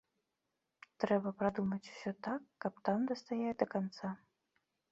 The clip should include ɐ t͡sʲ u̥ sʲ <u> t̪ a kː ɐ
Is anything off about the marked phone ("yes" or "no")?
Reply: yes